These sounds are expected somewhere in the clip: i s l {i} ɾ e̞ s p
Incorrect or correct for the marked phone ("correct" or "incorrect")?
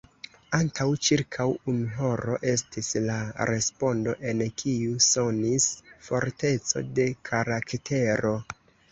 incorrect